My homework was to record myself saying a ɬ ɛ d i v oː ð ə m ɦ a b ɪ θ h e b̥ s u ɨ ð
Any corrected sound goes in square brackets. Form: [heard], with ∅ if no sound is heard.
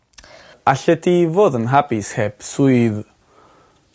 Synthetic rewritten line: a ɬ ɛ d i v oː ð ə [n] ɦ a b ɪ [s] h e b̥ s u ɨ ð